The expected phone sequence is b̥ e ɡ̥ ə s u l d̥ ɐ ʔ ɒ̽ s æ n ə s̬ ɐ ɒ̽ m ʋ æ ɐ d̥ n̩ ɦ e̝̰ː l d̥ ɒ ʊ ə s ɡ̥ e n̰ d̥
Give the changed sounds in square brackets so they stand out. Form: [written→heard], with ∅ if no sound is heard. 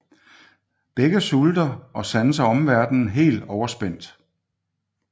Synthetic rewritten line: b̥ e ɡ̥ ə s u l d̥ ɐ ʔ ɒ̽ s æ n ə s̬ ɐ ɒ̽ m ʋ æ ɐ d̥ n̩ ɦ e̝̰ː l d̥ ɒ ʊ [ə→ɐ] s [ɡ̥→b̥] e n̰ d̥